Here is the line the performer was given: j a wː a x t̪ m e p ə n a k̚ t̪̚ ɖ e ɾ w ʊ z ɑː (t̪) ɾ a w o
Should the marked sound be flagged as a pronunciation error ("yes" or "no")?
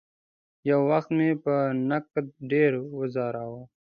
yes